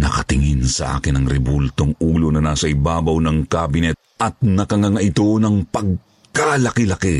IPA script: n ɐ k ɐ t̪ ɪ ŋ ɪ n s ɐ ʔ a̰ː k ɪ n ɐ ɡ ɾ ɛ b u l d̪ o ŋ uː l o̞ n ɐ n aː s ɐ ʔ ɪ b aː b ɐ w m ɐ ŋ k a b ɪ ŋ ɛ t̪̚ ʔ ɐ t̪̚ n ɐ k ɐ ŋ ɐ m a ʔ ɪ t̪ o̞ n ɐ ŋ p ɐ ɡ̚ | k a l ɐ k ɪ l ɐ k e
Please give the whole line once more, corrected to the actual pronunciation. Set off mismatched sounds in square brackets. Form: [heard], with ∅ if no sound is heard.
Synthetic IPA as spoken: n ɐ k ɐ t̪ ɪ ŋ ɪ n s ɐ ʔ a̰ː k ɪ n ɐ [ŋ] ɾ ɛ b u l [t̪] o ŋ uː l o̞ n ɐ n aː s ɐ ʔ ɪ b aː b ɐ w [n] ɐ ŋ k a b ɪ [n] ɛ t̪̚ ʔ ɐ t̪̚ n ɐ k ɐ ŋ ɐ [ŋ] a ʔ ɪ t̪ o̞ n ɐ ŋ p ɐ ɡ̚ | k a l ɐ k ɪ l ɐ k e